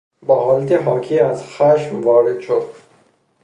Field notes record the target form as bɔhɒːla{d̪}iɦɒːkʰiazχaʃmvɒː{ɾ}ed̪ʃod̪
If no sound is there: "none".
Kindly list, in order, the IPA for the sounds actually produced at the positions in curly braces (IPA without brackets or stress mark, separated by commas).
t̪, ɾ